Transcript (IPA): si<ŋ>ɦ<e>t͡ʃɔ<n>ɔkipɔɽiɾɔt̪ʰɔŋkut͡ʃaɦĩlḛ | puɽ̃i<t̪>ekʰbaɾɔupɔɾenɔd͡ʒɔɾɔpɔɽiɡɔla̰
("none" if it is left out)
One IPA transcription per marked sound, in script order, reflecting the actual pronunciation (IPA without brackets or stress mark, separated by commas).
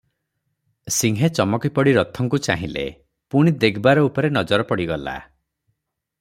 ŋ, e, m, d̪